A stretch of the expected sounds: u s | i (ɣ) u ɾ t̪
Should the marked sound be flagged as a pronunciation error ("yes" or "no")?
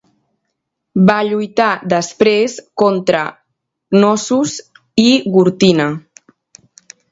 no